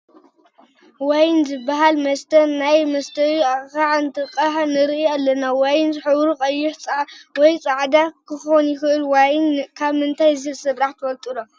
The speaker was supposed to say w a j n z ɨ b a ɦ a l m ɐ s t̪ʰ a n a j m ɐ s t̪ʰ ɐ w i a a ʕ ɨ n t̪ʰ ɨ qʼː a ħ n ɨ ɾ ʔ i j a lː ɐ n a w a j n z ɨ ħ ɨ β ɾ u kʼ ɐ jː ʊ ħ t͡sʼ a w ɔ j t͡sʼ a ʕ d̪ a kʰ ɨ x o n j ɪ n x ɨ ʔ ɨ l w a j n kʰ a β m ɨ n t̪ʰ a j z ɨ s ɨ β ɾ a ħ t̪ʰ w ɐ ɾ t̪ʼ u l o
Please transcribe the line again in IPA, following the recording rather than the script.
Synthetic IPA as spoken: w a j n z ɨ b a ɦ a l m ɐ s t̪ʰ ɐ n a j m ɐ s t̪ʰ ɐ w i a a ʕ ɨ n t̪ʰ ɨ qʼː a ħ n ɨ ɾ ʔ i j a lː ɐ n a w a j n z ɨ ħ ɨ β ɾ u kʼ ɐ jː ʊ ħ t͡sʼ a w ɔ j t͡sʼ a ʕ d̪ a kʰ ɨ x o n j ɪ x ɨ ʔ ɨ l w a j n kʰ a β m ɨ n t̪ʰ a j z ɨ s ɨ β ɾ a ħ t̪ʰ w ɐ l t̪ʼ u l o